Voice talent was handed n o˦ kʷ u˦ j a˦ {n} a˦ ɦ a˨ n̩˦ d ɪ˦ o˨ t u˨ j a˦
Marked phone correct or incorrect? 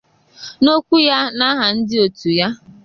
correct